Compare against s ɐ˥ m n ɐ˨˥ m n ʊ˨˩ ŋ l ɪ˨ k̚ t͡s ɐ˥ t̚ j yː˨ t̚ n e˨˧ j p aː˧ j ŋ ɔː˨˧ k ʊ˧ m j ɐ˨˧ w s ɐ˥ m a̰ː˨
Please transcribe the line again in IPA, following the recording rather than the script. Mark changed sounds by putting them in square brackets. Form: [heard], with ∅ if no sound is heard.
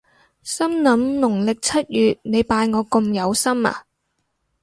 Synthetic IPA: s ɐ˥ m n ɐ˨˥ m n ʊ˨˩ ŋ l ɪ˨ k̚ [t͡sʰ] ɐ˥ t̚ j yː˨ t̚ n e˨˧ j p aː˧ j ŋ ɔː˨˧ k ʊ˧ m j ɐ˨˧ w s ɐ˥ m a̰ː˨